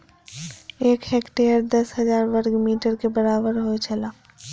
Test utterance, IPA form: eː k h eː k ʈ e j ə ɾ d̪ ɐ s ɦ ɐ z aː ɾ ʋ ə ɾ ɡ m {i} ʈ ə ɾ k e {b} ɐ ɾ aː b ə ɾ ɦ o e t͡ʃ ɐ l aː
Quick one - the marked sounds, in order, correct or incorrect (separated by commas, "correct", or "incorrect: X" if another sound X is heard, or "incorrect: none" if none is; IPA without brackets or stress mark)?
incorrect: iː, correct